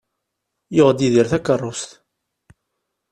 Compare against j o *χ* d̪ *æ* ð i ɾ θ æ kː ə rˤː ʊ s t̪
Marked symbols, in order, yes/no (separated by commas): no, no